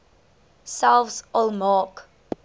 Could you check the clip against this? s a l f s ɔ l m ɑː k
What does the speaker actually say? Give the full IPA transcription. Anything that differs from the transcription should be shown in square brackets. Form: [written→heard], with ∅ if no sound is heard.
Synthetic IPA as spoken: s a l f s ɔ l m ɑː k